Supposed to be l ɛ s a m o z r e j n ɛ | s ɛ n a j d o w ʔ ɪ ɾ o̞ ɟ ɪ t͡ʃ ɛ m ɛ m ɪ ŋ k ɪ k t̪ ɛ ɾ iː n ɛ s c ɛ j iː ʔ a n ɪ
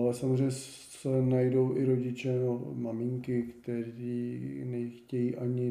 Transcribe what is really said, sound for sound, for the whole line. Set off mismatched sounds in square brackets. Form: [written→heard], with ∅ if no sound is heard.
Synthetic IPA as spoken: l ɛ s a m o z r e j [n→ɲ] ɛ | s ɛ n a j d o w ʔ ɪ ɾ o̞ ɟ ɪ t͡ʃ ɛ m [ɛ→a] m ɪ ŋ k ɪ k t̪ ɛ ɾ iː n ɛ [s→x] c ɛ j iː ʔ a [n→ɲ] ɪ